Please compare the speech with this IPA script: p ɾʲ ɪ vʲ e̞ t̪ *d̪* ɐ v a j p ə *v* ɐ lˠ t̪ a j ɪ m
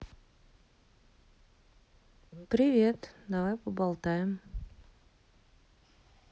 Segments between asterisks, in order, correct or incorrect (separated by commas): correct, incorrect